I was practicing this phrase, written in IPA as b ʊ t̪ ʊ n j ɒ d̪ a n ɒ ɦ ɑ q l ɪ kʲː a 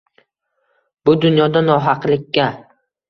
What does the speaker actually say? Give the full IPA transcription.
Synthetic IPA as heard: b ʊ d̪ ʊ n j ɒ d̪ a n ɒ ɦ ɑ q l ɪ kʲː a